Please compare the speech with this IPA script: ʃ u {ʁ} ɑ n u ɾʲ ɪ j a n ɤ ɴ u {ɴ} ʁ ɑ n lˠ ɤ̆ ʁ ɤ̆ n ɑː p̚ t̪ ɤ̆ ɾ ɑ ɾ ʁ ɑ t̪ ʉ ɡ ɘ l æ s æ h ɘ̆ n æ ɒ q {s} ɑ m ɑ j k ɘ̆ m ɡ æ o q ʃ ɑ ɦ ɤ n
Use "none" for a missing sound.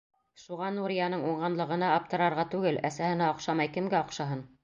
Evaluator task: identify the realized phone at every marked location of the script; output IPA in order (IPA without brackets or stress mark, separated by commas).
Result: ʁ, ɴ, ʃ